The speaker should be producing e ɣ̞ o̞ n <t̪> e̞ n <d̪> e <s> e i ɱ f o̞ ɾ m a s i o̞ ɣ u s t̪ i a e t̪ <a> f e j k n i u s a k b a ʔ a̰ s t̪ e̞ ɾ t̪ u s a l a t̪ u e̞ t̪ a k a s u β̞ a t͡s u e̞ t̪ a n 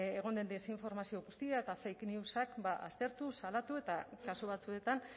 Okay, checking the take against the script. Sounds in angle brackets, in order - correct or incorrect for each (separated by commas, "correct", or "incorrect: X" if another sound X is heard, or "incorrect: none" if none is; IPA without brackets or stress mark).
incorrect: d̪, correct, correct, correct